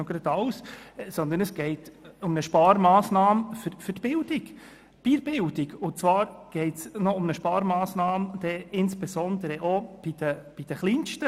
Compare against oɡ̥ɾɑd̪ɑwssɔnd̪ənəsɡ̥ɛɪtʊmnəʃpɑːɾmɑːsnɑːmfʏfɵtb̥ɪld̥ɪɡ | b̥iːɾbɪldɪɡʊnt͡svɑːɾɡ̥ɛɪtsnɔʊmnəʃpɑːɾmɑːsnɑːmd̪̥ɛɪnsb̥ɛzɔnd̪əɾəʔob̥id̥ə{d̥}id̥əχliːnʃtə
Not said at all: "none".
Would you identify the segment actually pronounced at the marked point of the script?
b̥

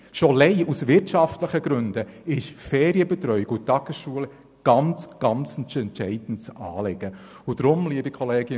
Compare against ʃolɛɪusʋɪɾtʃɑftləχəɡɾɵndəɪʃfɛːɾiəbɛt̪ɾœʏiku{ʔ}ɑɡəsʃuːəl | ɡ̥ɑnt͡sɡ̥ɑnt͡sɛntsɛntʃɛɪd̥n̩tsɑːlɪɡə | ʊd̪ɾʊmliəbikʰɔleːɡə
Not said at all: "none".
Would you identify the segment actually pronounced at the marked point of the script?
t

